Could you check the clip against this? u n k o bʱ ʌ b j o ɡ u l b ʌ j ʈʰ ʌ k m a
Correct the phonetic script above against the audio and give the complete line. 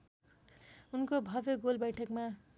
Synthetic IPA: u n k o bʱ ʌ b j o ɡ o l b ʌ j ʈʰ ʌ k m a